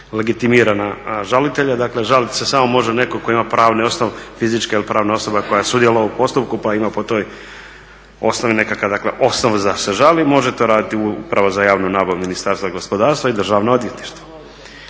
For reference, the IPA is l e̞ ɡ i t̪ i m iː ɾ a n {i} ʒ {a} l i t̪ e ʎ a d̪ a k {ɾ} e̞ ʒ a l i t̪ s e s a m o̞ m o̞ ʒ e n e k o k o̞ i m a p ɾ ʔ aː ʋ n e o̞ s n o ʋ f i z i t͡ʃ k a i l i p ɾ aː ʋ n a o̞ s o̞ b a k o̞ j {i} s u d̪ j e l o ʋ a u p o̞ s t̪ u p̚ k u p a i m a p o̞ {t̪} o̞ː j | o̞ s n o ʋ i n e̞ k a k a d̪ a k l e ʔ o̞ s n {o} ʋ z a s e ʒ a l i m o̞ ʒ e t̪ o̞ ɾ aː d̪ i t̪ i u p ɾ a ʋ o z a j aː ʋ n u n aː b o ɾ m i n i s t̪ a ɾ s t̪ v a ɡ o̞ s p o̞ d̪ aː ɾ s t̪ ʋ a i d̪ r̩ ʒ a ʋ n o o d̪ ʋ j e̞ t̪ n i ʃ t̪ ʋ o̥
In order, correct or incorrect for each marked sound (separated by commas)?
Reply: incorrect, correct, incorrect, incorrect, correct, correct